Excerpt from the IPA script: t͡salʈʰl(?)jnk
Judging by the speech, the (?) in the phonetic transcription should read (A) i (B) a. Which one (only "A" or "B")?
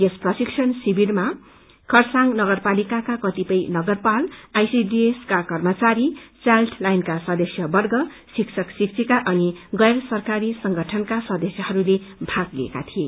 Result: B